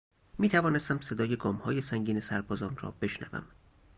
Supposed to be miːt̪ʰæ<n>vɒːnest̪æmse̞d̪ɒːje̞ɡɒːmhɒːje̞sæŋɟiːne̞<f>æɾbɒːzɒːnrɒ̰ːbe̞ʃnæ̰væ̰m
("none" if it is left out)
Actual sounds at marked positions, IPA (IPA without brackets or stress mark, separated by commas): none, s